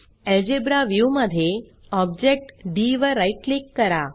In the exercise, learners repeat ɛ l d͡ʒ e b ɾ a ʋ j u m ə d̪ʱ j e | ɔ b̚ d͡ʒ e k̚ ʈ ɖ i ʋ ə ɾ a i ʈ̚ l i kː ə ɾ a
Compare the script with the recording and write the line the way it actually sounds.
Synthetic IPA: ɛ l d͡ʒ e b ɾ a ʋ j u m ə d̪ʱ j e | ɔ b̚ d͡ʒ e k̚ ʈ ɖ i ʋ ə ɾ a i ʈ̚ l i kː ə ɾ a